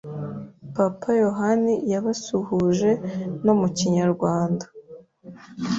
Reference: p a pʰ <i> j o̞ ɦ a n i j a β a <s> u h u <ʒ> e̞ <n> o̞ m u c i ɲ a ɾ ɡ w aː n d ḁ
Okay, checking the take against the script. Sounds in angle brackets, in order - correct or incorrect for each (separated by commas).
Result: incorrect, correct, correct, correct